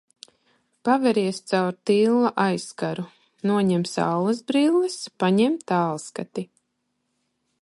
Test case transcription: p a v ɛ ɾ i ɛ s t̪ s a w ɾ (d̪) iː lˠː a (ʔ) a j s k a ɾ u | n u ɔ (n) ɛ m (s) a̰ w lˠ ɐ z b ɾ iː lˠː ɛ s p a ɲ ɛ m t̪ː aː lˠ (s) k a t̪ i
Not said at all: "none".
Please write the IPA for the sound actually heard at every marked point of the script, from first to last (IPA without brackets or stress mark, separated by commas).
t̪, ʔ, ɲ, s, s